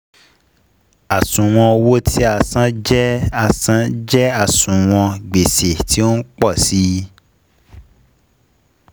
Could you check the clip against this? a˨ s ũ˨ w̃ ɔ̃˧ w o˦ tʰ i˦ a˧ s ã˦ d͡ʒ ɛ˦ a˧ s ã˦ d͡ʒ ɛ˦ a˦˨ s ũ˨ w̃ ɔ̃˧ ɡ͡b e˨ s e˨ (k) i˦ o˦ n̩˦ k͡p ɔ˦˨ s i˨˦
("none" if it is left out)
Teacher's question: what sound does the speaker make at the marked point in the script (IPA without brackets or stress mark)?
t